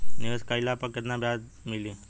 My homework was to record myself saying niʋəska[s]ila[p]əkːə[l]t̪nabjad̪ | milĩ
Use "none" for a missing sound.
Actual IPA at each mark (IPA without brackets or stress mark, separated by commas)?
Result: none, p, none